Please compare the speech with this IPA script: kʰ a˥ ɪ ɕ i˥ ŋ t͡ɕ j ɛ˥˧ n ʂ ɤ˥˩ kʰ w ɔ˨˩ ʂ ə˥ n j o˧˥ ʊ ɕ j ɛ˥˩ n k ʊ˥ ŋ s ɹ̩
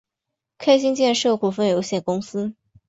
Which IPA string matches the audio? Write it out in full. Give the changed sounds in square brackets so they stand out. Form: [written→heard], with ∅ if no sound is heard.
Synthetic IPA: kʰ a˥ ɪ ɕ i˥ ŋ t͡ɕ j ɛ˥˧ n ʂ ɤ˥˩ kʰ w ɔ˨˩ [ʂ→f] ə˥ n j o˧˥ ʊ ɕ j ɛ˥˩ n k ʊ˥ ŋ s ɹ̩